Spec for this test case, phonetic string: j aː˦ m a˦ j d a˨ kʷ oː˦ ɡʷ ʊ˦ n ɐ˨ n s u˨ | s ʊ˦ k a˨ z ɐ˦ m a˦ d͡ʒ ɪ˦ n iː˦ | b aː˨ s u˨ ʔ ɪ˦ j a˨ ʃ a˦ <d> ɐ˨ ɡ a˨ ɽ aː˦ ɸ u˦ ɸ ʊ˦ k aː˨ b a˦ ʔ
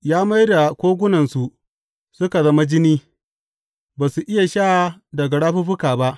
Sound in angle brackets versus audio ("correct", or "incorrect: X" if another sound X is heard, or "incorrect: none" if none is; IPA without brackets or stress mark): correct